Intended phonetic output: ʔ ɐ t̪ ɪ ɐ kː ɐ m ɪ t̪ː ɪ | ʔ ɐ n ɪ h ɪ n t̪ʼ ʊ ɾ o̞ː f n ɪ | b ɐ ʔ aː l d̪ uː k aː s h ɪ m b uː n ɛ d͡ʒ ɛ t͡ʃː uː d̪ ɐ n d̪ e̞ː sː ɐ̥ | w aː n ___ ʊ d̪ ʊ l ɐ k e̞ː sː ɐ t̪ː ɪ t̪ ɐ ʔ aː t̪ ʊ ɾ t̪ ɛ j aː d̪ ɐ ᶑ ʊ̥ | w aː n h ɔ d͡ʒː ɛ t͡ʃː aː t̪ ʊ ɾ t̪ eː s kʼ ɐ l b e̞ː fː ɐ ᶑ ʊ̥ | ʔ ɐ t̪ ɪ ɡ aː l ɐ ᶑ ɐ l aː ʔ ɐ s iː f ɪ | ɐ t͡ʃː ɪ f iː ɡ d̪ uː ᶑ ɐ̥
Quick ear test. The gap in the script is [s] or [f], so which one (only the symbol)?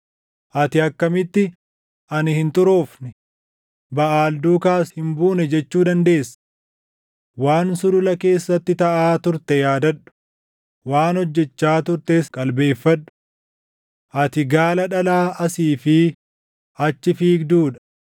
s